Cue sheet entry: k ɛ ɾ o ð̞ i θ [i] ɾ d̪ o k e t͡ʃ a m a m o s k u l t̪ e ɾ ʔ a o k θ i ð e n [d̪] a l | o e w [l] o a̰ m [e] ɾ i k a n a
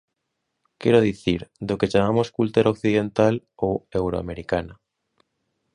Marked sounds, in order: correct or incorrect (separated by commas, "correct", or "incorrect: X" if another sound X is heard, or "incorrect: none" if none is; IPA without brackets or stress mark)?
correct, incorrect: t̪, incorrect: ɾ, correct